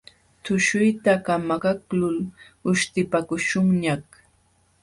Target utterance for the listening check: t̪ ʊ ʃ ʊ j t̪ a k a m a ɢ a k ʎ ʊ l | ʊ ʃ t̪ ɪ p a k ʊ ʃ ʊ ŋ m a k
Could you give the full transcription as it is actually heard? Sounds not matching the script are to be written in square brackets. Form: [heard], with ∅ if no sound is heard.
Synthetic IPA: t̪ ʊ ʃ ʊ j t̪ a k a m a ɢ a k [l] ʊ l | ʊ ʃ t̪ ɪ p a k ʊ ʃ ʊ ŋ [ɲ] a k